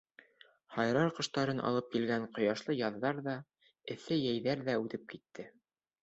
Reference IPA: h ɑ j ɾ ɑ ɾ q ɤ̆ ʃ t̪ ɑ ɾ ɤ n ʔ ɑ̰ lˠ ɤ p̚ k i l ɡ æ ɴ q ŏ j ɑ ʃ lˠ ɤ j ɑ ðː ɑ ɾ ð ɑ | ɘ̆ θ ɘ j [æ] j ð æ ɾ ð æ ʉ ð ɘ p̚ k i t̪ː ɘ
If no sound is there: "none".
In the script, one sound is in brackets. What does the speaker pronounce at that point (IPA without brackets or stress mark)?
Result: æ